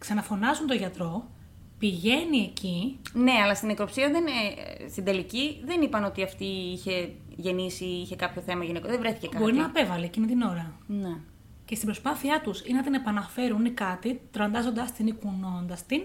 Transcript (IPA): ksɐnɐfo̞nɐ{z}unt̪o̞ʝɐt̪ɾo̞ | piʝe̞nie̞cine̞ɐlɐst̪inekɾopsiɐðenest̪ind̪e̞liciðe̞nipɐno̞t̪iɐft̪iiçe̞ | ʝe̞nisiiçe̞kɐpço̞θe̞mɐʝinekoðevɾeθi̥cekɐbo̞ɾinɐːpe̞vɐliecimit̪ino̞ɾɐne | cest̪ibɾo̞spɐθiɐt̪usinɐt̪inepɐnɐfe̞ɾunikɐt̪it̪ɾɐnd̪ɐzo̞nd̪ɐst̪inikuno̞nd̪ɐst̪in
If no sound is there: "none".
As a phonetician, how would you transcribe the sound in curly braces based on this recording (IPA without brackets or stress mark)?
z